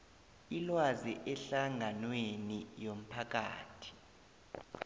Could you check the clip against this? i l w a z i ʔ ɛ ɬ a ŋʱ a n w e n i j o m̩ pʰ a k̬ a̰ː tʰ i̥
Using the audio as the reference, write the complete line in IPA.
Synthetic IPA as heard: i l w a z i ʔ ɛ ɬ a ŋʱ a n w e n i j o m̩ pʰ a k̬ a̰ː tʰ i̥